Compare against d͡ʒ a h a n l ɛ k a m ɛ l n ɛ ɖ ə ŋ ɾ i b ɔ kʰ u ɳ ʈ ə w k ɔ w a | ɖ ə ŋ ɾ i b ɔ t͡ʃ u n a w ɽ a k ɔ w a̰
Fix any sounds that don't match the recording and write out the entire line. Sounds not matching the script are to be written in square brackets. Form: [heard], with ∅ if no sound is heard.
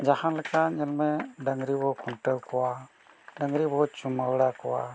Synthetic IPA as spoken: d͡ʒ a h a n l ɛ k a [ɲ] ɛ l [m] ɛ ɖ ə ŋ ɾ i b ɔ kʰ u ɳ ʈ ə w k ɔ w a | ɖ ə ŋ ɾ i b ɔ t͡ʃ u [m] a w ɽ a k ɔ w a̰

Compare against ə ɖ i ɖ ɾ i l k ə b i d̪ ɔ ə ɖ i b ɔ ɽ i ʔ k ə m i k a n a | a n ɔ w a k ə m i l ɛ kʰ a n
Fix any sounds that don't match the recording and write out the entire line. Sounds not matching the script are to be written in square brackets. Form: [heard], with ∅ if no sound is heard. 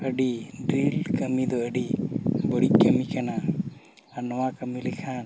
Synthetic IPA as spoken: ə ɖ i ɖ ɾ i l k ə [m] i d̪ ɔ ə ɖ i b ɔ ɽ i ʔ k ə m i k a n a | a n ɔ w a k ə m i l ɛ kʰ a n

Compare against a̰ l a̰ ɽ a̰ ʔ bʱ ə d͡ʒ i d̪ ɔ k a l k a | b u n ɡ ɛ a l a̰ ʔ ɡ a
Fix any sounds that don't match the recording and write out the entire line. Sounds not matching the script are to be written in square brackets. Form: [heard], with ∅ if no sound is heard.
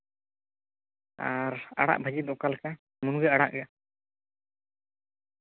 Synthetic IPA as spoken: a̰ [ɾ] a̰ ɽ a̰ ʔ bʱ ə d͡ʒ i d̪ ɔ k a l k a | [m] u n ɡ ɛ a [ɽ] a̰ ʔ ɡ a

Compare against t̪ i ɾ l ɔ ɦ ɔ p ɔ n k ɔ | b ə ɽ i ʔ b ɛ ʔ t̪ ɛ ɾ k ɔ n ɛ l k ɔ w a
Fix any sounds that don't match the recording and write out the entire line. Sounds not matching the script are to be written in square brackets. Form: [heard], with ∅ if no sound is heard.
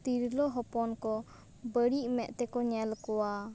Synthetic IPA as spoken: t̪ i ɾ l ɔ ɦ ɔ p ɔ n k ɔ | b ə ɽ i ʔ [m] ɛ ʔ t̪ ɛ [∅] k ɔ [ɲ] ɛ l k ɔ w a

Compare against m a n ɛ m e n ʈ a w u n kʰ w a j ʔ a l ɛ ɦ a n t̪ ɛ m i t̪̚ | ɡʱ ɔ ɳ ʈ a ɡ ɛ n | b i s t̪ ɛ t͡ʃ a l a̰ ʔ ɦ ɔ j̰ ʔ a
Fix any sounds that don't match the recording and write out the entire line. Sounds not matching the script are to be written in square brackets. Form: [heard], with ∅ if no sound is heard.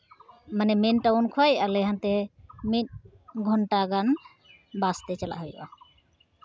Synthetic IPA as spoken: m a n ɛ m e n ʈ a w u n kʰ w a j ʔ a l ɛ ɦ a n t̪ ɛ m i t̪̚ | ɡʱ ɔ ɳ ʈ a ɡ [a] n | b [a] s t̪ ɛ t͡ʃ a l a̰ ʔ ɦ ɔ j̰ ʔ a

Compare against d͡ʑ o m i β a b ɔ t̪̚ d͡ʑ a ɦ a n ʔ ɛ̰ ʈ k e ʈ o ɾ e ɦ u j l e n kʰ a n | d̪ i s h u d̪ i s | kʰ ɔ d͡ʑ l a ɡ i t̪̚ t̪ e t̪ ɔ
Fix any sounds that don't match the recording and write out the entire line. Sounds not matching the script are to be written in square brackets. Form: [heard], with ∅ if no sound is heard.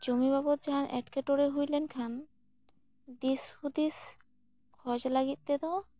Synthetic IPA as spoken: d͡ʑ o m i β a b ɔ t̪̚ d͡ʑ a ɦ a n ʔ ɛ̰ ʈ k e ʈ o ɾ e ɦ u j l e n kʰ a n | d̪ i s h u d̪ i s | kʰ ɔ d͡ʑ l a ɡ i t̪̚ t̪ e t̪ ɔ

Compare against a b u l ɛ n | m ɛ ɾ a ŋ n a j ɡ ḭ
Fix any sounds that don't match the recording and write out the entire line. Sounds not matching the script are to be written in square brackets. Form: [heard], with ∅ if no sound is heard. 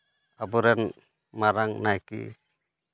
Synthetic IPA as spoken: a b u [ɾ] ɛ n | m [a] ɾ a ŋ n a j [k] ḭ

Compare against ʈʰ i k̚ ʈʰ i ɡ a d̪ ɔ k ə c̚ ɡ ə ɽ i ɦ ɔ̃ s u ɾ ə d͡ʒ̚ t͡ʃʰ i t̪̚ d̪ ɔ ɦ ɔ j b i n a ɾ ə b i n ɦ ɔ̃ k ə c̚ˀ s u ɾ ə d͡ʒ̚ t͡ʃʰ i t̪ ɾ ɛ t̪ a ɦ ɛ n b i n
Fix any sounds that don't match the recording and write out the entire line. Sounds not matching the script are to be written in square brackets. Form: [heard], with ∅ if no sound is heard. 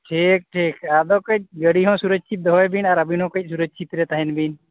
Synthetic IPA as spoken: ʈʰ i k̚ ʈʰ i [k] a d̪ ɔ k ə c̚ ɡ ə ɽ i ɦ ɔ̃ s u ɾ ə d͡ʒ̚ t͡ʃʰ i t̪̚ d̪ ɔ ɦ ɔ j b i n a ɾ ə b i n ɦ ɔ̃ k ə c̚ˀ s u ɾ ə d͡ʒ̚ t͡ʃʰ i t̪ ɾ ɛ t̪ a ɦ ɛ n b i n

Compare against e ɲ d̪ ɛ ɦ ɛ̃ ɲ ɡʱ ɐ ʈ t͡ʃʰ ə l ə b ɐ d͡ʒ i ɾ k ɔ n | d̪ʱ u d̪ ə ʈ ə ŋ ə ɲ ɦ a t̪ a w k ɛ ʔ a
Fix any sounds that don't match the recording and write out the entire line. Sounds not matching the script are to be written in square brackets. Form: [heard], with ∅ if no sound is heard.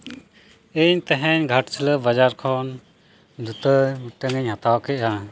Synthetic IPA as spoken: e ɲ [t̪] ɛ ɦ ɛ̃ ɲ ɡʱ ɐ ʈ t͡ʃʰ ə l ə b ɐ d͡ʒ [a] ɾ [kʰ] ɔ n | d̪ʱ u [t̪] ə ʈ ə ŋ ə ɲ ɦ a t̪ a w k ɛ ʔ a

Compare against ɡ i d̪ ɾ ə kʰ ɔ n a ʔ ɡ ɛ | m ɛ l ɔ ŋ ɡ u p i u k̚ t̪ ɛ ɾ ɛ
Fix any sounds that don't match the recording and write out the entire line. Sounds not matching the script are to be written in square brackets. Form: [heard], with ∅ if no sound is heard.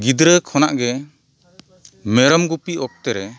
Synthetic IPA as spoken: ɡ i d̪ ɾ ə kʰ ɔ n a ʔ ɡ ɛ | m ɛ [ɾ] ɔ [m] ɡ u p i [ɔ] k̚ t̪ ɛ ɾ ɛ

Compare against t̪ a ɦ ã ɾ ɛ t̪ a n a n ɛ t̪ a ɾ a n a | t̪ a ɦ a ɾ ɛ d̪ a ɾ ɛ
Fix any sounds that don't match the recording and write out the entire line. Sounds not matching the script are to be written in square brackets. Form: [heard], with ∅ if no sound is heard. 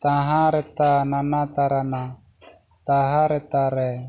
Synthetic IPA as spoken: t̪ a ɦ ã ɾ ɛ t̪ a n a n [a] t̪ a ɾ a n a | t̪ a ɦ a ɾ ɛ [t̪] a ɾ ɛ

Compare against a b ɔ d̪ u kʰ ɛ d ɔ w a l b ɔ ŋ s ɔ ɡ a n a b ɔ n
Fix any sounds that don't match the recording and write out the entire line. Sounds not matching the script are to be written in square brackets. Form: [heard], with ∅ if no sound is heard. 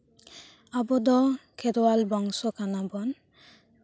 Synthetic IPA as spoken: a b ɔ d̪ [ɔ] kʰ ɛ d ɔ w a l b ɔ ŋ s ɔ [k] a n a b ɔ n

